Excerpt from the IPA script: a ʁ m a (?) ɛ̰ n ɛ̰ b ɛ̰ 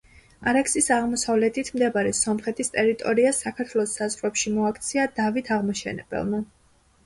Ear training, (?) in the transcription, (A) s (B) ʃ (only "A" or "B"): B